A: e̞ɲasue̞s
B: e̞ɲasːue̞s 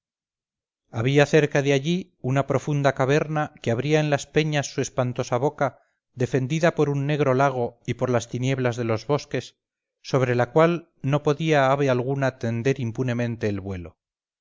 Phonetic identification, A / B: B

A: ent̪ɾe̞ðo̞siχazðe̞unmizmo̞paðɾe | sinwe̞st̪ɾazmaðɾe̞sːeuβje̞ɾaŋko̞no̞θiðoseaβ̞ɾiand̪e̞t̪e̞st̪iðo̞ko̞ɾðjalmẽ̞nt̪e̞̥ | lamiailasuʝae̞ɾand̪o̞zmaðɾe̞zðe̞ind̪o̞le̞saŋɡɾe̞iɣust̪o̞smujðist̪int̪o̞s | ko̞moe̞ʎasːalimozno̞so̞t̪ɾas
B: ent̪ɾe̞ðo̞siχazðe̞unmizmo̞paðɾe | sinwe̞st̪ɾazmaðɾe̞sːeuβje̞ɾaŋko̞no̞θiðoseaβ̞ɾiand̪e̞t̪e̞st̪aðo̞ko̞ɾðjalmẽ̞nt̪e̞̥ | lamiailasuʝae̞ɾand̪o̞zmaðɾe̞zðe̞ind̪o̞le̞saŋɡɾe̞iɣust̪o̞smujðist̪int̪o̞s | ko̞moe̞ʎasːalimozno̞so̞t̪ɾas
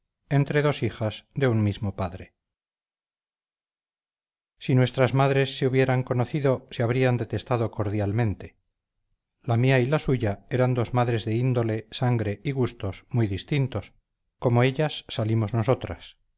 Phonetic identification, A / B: B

